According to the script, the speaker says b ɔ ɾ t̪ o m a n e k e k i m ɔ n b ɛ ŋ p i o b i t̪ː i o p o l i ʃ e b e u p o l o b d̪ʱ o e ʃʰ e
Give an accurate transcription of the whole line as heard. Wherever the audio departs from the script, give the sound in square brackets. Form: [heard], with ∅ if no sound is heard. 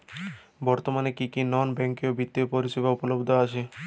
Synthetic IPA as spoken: b ɔ ɾ t̪ o m a n e k [i] k i [n] ɔ n b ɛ ŋ [k] i o b i t̪ː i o p o [ɾ] i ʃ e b [a] u p o l o b d̪ʱ o [a] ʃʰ e